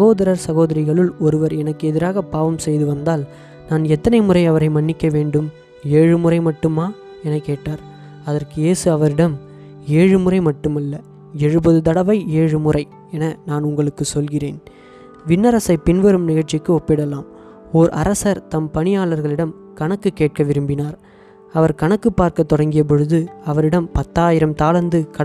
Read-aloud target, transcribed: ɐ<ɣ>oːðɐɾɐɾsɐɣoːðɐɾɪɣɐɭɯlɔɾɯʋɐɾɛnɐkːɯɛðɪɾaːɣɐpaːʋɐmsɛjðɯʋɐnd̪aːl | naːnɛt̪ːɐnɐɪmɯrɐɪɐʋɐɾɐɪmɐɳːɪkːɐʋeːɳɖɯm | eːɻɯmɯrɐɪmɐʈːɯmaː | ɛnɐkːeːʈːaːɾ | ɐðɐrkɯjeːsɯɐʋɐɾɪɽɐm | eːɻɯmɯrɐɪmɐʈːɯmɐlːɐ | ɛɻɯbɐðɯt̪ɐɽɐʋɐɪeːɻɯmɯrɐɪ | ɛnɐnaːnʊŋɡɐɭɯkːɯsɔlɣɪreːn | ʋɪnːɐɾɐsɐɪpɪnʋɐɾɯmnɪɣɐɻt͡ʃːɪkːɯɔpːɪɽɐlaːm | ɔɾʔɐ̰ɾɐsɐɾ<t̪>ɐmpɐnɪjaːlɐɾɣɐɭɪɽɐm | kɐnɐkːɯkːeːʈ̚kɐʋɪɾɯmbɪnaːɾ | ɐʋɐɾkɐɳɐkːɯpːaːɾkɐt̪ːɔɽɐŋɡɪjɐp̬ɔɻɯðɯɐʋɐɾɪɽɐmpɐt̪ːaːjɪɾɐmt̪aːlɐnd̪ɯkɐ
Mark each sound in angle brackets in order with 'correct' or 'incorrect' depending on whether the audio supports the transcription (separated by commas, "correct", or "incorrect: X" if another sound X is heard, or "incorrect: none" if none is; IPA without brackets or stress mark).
correct, correct